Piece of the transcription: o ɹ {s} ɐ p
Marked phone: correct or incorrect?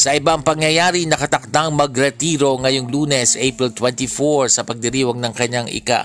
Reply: correct